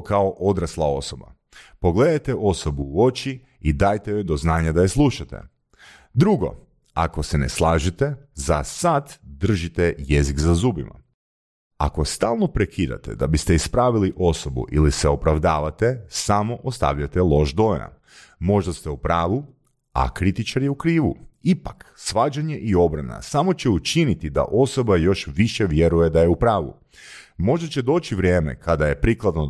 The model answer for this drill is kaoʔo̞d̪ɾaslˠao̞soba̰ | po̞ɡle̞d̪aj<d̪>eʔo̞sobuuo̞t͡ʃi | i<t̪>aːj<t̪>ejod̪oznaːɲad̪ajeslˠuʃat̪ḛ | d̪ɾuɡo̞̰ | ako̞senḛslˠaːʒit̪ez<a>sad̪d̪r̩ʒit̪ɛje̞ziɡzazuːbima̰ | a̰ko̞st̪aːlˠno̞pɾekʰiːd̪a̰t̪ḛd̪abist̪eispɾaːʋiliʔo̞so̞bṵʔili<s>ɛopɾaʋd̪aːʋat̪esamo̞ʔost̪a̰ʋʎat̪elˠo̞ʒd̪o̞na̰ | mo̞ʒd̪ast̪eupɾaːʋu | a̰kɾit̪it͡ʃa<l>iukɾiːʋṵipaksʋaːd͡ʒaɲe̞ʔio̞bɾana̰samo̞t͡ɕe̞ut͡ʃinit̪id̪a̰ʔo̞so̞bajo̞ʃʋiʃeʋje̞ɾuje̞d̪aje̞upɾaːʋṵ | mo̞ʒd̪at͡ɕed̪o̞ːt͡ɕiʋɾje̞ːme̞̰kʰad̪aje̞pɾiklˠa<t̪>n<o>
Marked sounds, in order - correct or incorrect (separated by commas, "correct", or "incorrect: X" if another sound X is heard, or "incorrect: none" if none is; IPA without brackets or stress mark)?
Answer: incorrect: t̪, incorrect: d̪, correct, correct, correct, incorrect: ɾ, incorrect: d̪, correct